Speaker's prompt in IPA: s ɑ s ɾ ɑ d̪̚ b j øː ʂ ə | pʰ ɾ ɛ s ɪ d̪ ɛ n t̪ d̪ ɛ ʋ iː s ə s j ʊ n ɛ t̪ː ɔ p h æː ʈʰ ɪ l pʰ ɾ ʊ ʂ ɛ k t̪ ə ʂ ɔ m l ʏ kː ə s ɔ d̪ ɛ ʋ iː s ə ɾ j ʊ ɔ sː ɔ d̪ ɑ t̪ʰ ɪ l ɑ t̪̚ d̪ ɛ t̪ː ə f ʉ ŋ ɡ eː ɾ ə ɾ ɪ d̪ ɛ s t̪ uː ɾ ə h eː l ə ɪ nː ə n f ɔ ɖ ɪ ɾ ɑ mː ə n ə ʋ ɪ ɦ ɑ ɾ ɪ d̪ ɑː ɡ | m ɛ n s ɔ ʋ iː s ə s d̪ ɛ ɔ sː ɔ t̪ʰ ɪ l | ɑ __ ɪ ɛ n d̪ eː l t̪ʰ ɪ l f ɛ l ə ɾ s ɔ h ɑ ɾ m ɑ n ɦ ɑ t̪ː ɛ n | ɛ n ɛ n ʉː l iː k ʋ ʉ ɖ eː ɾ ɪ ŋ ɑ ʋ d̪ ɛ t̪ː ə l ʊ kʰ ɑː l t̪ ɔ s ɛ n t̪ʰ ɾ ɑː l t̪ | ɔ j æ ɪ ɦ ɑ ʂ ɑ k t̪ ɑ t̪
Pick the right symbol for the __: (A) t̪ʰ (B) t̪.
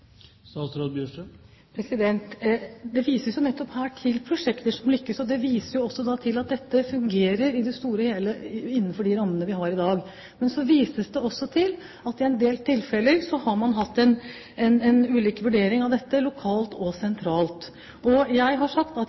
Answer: B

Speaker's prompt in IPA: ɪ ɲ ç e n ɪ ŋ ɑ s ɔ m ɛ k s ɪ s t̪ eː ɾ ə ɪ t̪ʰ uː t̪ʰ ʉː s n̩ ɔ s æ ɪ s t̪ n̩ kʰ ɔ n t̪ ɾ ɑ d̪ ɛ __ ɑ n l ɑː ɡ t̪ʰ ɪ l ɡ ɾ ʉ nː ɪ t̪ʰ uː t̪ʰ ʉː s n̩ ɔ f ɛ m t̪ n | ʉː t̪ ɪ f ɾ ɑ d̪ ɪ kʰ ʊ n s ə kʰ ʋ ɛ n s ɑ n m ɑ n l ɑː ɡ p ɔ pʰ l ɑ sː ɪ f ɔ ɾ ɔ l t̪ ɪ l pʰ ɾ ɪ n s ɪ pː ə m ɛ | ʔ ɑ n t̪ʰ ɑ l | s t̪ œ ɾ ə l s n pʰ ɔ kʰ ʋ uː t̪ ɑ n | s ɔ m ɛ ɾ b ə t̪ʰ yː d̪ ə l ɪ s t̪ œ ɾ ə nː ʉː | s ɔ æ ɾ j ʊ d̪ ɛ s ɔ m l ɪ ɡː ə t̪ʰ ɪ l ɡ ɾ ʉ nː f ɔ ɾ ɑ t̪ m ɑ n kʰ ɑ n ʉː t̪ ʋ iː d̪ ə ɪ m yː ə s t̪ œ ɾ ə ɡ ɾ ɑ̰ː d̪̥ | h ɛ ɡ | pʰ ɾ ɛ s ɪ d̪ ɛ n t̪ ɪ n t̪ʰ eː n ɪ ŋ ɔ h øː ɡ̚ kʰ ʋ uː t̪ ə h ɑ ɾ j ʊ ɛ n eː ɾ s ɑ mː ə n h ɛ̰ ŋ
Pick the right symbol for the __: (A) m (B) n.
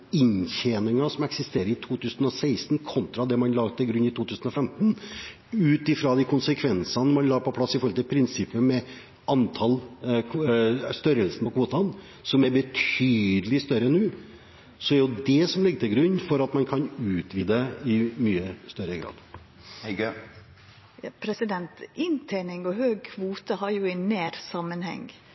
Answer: A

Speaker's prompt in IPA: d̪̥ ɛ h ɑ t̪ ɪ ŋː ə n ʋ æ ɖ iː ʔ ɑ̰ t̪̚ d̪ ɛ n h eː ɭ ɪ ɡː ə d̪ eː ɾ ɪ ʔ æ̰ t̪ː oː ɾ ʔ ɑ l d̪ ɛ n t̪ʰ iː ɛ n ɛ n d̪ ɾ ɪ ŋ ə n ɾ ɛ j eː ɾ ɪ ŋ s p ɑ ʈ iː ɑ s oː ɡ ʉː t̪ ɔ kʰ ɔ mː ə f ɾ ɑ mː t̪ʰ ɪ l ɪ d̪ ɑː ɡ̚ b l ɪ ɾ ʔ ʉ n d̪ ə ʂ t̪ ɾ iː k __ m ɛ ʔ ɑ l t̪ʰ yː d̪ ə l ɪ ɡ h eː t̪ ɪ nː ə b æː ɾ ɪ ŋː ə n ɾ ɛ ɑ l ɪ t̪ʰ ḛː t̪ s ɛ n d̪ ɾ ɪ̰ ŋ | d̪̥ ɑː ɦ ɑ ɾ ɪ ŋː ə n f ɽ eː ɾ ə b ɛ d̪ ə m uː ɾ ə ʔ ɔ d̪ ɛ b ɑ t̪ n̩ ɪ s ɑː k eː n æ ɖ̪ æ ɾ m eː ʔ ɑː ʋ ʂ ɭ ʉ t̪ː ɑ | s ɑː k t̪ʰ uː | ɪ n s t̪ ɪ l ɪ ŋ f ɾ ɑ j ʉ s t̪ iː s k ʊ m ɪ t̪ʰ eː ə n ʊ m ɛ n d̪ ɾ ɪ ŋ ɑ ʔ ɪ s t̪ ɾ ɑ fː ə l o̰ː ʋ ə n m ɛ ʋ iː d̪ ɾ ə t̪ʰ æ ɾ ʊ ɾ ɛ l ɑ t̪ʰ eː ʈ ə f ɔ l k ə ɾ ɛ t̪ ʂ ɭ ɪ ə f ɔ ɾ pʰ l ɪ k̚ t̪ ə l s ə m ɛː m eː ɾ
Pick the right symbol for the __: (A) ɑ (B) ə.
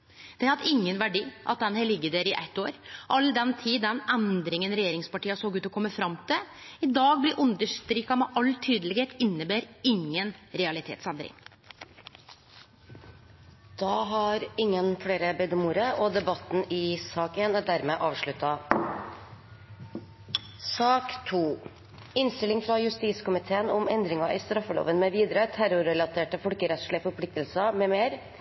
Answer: A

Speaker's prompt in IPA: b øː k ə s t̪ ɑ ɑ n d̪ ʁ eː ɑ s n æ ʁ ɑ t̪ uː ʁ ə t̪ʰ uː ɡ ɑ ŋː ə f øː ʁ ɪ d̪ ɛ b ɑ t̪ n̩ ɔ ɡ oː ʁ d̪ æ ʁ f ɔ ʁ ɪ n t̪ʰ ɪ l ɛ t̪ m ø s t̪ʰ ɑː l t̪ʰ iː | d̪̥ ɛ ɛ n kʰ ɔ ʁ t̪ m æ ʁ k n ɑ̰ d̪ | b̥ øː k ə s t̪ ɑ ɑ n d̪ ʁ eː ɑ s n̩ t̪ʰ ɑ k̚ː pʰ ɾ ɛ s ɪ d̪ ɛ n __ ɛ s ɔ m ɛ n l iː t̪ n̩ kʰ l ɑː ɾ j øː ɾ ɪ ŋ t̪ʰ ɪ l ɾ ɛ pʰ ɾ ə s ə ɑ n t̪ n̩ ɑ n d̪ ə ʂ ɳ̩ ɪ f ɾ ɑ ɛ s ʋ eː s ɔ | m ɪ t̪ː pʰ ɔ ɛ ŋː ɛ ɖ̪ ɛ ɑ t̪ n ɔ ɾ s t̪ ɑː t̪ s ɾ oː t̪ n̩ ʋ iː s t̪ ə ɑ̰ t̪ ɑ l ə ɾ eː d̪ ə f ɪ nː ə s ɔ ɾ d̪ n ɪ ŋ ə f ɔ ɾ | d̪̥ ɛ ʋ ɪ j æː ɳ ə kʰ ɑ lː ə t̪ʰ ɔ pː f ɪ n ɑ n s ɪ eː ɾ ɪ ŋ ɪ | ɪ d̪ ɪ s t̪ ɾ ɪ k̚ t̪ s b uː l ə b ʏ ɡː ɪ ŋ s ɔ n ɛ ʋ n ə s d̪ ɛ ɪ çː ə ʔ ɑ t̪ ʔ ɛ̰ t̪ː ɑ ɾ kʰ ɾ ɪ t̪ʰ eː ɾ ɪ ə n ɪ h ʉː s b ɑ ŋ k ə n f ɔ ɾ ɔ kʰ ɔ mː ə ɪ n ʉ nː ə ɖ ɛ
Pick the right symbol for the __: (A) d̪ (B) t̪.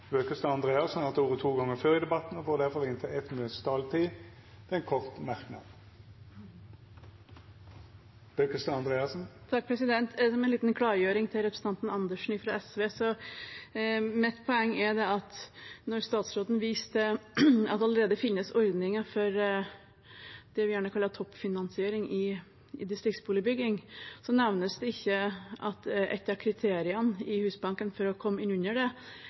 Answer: B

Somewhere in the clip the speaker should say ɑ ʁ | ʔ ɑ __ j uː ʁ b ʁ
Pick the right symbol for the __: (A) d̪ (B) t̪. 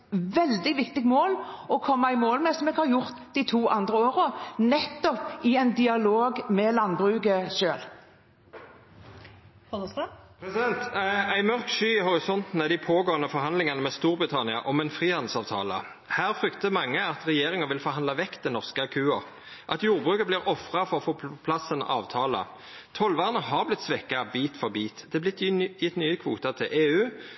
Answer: B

